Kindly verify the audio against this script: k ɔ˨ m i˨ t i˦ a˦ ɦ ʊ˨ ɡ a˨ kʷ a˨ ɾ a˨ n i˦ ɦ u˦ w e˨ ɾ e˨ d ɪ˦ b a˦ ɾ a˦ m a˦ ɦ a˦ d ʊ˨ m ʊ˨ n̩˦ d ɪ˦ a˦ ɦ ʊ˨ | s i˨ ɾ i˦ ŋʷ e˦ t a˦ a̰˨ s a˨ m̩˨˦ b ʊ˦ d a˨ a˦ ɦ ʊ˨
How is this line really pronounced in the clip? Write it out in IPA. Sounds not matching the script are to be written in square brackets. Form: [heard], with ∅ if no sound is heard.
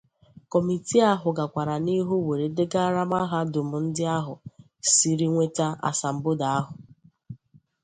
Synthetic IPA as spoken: k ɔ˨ m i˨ t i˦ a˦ ɦ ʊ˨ ɡ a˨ kʷ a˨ ɾ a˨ n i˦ ɦ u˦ w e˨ ɾ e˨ d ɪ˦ [ɡ] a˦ ɾ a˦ m a˦ ɦ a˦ d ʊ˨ m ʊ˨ n̩˦ d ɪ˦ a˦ ɦ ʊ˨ | s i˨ ɾ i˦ ŋʷ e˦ t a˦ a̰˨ s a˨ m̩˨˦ b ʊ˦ d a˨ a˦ ɦ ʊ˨